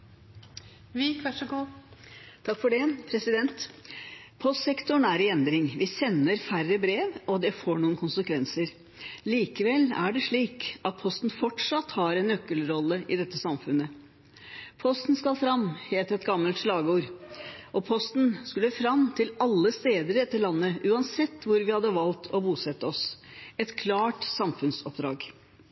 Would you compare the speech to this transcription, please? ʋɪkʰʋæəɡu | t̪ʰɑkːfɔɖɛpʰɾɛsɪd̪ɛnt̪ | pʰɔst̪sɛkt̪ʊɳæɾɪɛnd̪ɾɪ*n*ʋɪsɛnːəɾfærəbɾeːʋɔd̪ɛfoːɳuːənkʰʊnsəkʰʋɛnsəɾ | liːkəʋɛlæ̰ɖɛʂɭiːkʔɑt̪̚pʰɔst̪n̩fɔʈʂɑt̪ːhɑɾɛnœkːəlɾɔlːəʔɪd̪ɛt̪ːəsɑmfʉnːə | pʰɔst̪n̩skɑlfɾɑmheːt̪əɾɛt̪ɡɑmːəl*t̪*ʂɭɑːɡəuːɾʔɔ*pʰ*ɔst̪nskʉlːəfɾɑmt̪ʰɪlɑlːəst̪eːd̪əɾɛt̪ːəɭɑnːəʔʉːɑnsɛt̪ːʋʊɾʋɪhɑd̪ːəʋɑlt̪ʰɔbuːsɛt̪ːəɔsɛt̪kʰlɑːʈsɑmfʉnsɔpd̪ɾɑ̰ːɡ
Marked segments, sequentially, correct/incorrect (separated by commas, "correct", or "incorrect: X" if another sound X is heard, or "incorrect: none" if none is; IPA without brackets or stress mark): incorrect: ŋ, correct, correct